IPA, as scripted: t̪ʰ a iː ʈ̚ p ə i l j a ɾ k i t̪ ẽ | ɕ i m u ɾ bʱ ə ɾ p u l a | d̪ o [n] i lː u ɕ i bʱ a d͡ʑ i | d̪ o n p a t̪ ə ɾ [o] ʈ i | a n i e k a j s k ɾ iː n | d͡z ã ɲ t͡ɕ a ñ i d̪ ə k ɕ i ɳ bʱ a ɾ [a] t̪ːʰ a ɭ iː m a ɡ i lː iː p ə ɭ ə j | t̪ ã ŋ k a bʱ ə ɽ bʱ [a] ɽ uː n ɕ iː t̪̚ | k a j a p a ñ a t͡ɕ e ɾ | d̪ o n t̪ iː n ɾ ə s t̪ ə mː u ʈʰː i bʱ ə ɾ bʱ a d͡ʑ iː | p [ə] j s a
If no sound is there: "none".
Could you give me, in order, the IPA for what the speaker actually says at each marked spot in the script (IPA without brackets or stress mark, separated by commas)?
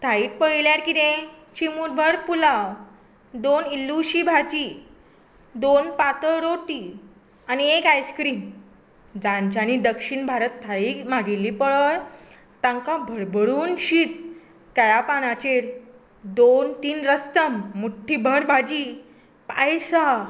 n, o, ə, ə, a